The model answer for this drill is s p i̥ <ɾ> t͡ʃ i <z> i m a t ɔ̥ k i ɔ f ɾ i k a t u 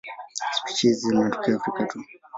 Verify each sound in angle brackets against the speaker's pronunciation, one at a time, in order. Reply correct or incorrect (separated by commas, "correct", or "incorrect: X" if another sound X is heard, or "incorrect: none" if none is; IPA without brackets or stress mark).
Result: incorrect: none, correct